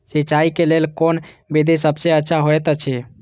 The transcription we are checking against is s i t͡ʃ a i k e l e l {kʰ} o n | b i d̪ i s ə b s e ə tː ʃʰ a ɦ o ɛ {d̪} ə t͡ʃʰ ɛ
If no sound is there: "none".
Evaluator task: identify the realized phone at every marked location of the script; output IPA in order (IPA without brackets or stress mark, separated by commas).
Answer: k, t̪